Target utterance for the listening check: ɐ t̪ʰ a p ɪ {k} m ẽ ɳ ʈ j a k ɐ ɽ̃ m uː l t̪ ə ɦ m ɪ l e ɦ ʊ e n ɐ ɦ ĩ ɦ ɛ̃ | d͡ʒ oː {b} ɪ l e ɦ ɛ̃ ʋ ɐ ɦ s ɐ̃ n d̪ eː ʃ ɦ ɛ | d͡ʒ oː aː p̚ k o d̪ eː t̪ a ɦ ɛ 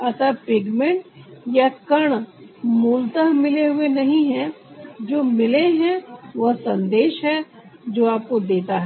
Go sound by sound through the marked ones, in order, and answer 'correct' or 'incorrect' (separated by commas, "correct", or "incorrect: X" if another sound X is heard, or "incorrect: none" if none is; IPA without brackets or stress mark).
incorrect: ɡ, incorrect: m